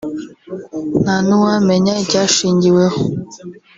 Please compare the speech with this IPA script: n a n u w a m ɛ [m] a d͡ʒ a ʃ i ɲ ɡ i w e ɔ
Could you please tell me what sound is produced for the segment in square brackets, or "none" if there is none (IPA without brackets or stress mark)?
ɲ